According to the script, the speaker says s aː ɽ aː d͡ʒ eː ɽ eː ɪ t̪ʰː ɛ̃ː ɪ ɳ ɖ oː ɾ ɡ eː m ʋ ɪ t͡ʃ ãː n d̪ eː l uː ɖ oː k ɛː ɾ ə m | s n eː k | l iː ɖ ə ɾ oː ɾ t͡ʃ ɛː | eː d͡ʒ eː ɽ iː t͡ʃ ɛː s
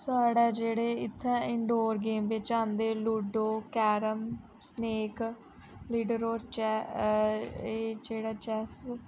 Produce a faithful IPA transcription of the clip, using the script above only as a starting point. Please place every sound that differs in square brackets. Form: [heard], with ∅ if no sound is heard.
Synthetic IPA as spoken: s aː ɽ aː d͡ʒ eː ɽ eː ɪ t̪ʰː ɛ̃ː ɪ ɳ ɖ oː ɾ ɡ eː m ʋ ɪ t͡ʃ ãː n d̪ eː l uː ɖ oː k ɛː ɾ ə m | s n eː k | l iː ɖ ə ɾ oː ɾ t͡ʃ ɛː | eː d͡ʒ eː ɽ [aː] t͡ʃ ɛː s